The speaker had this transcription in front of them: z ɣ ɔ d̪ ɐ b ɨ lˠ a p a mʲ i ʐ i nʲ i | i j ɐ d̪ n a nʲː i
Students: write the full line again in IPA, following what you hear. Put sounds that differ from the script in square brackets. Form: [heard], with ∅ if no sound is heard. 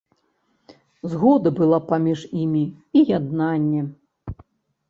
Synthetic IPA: z ɣ ɔ d̪ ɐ b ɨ lˠ a p a mʲ i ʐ i [mʲ] i | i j [a] d̪ n a nʲː [ɛ]